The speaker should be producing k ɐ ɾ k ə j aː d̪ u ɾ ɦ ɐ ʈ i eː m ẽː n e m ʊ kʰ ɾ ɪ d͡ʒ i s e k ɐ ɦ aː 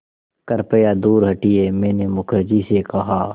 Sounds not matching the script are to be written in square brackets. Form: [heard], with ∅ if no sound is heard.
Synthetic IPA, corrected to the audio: k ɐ ɾ [p] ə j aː d̪ [uː] ɾ ɦ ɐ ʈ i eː m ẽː n e m ʊ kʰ ɾ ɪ d͡ʒ i s e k ɐ ɦ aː